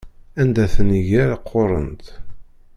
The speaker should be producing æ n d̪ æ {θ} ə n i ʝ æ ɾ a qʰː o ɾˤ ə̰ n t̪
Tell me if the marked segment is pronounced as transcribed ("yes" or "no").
yes